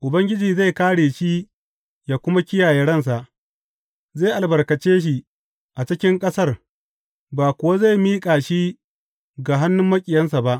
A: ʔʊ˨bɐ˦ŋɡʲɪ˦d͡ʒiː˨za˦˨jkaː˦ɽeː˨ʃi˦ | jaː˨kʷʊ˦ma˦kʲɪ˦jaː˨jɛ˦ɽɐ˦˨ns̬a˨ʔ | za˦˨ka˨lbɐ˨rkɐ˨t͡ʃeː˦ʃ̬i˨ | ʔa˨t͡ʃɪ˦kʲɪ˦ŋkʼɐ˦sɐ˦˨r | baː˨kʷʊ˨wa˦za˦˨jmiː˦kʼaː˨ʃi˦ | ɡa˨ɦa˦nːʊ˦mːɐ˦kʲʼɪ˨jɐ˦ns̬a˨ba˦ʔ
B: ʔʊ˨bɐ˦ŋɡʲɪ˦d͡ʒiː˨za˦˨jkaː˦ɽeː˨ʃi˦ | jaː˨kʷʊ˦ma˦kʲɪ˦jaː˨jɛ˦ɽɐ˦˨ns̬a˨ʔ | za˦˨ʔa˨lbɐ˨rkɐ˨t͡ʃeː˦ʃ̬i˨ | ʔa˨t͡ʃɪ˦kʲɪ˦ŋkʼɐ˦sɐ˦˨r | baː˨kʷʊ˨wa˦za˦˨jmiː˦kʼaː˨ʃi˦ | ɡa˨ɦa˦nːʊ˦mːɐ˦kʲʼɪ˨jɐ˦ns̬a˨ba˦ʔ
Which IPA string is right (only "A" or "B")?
B